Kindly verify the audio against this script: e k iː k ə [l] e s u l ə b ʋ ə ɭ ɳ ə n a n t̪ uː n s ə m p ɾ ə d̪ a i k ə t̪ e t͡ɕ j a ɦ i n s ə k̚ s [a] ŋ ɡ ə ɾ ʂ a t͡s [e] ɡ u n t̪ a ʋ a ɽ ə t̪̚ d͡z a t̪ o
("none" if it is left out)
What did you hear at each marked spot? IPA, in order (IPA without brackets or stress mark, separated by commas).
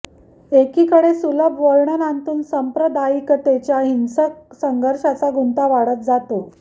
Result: ɽ, ə, a